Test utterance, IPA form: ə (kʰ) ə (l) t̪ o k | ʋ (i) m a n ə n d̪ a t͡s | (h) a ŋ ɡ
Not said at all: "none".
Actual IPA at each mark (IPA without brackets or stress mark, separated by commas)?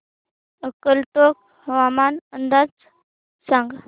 k, l, a, s